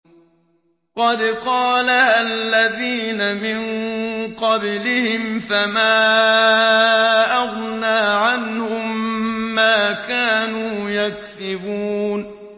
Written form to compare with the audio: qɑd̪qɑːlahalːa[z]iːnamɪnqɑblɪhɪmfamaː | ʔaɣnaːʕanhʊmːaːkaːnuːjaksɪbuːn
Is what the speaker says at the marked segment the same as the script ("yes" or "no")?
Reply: no